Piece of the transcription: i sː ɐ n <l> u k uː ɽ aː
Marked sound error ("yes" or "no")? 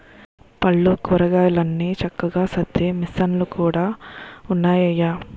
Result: no